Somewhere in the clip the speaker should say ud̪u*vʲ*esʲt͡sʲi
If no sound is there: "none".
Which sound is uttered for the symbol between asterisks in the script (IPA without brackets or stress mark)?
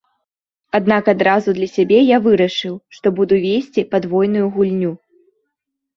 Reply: vʲ